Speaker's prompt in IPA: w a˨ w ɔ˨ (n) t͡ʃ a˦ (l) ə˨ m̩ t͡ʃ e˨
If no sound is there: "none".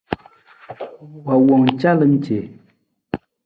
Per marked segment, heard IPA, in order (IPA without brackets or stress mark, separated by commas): ŋ, l